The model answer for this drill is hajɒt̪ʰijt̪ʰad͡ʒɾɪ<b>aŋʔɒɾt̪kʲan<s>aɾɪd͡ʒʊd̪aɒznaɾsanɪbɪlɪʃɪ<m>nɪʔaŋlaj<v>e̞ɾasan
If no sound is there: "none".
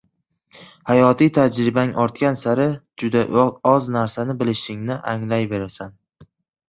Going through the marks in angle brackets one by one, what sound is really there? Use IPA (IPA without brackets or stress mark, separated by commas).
b, s, ŋ, b